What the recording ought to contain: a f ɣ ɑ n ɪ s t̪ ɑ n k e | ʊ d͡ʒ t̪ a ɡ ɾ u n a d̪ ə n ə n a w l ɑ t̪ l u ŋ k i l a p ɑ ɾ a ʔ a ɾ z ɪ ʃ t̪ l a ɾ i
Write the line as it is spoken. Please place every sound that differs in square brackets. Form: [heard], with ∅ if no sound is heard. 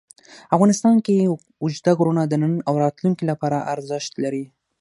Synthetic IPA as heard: a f ɣ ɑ n ɪ s t̪ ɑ n k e | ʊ d͡ʒ [d̪] a ɡ ɾ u n a d̪ ə n ə n a w [ɾ] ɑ t̪ l u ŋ k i l a p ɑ ɾ a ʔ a ɾ z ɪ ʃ t̪ l a ɾ i

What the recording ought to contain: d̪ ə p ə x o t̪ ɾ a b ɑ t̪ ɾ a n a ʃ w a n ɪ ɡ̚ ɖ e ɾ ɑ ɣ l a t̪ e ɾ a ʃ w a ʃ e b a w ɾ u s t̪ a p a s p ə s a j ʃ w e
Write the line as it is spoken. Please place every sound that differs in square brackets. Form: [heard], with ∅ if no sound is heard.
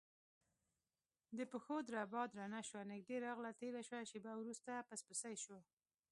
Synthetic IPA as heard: d̪ ə p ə x o [d̪] ɾ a b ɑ [d̪] ɾ a n a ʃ w a n ɪ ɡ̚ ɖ e ɾ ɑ ɣ l a t̪ e ɾ a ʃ w a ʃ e b a w ɾ u s t̪ a p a s p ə s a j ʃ w [a]

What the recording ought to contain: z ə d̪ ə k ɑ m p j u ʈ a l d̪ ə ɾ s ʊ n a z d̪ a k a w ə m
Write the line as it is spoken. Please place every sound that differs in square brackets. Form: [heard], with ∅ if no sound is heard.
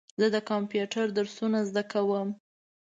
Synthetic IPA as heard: z ə d̪ ə k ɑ m p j u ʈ a [ɾ] d̪ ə ɾ s [u] n a z d̪ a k a w ə m

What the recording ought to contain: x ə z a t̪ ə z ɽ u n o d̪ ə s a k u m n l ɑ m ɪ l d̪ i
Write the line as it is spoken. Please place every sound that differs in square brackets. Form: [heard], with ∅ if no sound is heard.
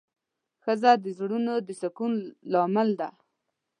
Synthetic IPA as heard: x ə z a [d̪] ə z ɽ u n o d̪ ə s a k u [∅] n l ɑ m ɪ l d̪ [a]

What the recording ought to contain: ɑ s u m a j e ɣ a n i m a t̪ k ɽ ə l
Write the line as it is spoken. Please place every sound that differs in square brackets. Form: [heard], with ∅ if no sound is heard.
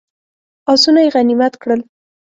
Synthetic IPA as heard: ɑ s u [n] a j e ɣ a n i m a t̪ k ɽ ə l

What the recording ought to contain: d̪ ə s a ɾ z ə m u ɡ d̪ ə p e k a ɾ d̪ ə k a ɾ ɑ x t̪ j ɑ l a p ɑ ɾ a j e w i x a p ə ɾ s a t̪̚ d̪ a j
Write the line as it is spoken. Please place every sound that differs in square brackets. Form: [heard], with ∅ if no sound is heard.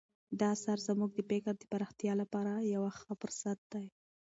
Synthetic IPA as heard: d̪ [ɑ] s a ɾ z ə m u ɡ d̪ ə p e k a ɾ d̪ ə [p] a ɾ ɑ x t̪ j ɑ l a p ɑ ɾ a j [a] w [a] x a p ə ɾ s a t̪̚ d̪ a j

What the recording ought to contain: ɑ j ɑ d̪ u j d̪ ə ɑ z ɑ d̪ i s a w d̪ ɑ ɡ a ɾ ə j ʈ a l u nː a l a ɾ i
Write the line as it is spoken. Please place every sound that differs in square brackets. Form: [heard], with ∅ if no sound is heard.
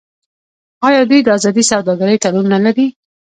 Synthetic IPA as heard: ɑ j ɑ d̪ u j d̪ ə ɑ z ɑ d̪ i s a w d̪ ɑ ɡ a ɾ ə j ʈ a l u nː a l a ɾ i

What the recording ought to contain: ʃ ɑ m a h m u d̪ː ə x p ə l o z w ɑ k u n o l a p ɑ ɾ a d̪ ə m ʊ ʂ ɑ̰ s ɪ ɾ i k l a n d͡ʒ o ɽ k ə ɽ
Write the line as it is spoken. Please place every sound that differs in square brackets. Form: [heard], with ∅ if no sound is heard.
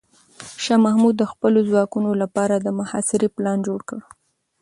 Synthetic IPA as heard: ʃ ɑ m a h m u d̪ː ə x p ə l o z w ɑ k u n o l a p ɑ ɾ a d̪ ə m ʊ [h] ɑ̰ s ɪ ɾ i [p] l [ɑ] n d͡ʒ o ɽ k ə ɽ

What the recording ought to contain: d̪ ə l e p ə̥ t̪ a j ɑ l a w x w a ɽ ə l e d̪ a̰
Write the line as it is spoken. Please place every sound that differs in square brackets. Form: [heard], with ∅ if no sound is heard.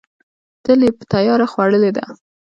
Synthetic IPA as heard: [t̪] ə l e p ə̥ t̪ a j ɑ [ɾ] a [∅] x w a ɽ ə l e d̪ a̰

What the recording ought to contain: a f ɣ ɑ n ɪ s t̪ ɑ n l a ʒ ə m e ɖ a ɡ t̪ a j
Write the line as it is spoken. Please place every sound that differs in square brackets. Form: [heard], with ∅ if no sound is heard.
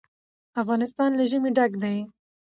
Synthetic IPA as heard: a f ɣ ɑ n ɪ s t̪ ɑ n l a ʒ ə m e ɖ a ɡ [d̪] a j

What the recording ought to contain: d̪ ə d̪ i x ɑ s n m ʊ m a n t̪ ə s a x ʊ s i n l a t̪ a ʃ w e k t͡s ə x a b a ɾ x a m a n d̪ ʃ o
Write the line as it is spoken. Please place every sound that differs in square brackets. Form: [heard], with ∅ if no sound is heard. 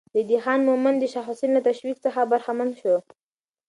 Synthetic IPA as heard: d̪ ə d̪ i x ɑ [∅] n m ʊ m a n [d̪] ə [ʃ] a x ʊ s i n l a t̪ a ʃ w [i] k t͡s ə x a b a ɾ x a m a n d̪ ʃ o

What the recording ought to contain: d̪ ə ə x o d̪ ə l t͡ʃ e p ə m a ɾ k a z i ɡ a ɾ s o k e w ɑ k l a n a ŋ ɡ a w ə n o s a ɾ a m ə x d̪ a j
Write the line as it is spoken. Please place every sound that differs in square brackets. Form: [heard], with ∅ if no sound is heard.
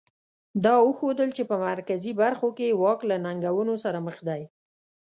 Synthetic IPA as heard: d̪ [ɑ] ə x o d̪ ə l t͡ʃ e p ə m a ɾ k a z i [b] a ɾ [x] o k e w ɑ k l a n a ŋ ɡ a w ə n o s a ɾ a m ə x d̪ a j

